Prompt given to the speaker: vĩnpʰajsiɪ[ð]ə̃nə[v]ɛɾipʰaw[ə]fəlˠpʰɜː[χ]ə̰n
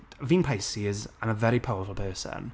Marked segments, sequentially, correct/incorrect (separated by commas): incorrect, correct, correct, incorrect